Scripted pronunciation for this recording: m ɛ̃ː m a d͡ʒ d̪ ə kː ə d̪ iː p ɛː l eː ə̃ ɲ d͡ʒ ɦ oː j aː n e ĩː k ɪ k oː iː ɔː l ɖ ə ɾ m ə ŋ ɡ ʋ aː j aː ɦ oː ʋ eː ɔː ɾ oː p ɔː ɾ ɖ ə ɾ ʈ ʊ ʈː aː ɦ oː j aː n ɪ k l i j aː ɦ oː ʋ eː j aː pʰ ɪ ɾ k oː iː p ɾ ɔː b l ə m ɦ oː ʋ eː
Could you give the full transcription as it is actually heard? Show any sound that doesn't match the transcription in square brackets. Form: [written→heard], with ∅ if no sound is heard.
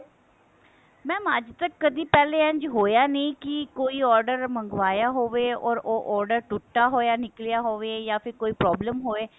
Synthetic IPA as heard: m ɛ̃ː m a d͡ʒ [d̪→t̪] ə kː ə d̪ iː p ɛː l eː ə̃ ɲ d͡ʒ ɦ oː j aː n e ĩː k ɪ k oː iː ɔː [l→ɾ] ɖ ə ɾ m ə ŋ ɡ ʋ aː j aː ɦ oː ʋ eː ɔː ɾ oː [p→ʔ] ɔː ɾ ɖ ə ɾ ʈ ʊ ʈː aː ɦ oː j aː n ɪ k l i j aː ɦ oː ʋ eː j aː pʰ ɪ ɾ k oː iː p ɾ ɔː b l ə m ɦ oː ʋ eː